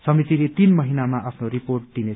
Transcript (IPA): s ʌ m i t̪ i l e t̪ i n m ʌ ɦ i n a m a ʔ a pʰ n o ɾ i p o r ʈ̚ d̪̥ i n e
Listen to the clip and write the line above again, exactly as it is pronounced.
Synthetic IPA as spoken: s ʌ m i t̪ i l e t̪ i n m ʌ ɦ i n a m a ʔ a pʰ n o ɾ i p o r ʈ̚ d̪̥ i n e